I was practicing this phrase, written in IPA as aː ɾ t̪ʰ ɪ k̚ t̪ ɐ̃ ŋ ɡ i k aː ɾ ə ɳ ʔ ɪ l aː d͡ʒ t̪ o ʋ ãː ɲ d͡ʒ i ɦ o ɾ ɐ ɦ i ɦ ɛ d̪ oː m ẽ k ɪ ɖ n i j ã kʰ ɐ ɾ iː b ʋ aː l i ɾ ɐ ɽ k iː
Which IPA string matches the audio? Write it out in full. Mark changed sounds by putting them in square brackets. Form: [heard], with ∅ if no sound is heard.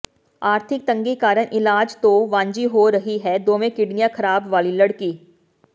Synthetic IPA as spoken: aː ɾ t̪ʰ ɪ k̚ t̪ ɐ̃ ŋ ɡ i k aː ɾ ə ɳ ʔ ɪ l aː d͡ʒ t̪ o ʋ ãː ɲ d͡ʒ i ɦ o ɾ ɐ ɦ i ɦ ɛ d̪ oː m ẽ k ɪ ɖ n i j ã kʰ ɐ ɾ [aː] b ʋ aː l i [l] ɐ ɽ k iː